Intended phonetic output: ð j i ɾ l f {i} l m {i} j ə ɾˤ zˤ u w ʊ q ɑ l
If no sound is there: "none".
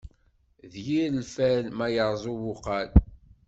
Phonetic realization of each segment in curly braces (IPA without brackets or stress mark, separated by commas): æ, æ